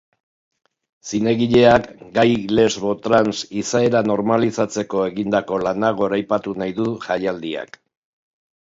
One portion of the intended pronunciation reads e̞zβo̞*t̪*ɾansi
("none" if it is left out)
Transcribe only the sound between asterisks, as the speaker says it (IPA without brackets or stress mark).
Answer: t̪